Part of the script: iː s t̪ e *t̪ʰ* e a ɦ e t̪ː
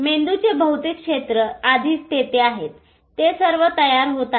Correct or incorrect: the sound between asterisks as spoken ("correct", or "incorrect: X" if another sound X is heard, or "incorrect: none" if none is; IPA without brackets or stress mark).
incorrect: t̪